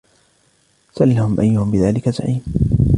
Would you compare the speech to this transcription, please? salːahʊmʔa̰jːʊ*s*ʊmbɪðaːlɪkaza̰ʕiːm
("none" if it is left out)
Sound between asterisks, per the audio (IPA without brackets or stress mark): h